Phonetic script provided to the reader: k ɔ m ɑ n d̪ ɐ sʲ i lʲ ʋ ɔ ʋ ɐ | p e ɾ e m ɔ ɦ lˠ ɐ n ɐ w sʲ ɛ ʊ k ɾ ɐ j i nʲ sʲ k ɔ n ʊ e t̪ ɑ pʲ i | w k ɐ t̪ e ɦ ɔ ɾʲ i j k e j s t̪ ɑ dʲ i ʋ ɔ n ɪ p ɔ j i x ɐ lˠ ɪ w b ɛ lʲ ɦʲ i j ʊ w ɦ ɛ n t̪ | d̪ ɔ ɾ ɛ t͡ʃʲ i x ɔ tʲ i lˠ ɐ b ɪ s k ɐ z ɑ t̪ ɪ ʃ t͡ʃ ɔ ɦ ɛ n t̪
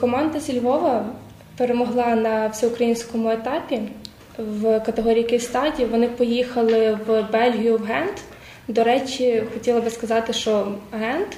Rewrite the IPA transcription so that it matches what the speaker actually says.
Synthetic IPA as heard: k ɔ m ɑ n d̪ ɐ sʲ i lʲ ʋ ɔ ʋ ɐ | p e ɾ e m ɔ ɦ lˠ ɑ n ɐ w sʲ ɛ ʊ k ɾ ɐ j i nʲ sʲ k ɔ m ʊ e t̪ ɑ pʲ i | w k ɐ t̪ e ɦ ɔ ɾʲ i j k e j s t̪ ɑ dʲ i ʋ ɔ n ɪ p ɔ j i x ɐ lˠ ɪ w b ɛ lʲ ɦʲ i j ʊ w ɦ ɛ n t̪ | d̪ ɔ ɾ ɛ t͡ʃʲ i x ɔ tʲ i lˠ ɐ b ɪ s k ɐ z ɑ t̪ ɪ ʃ t͡ʃ ɔ ɦ ɛ n t̪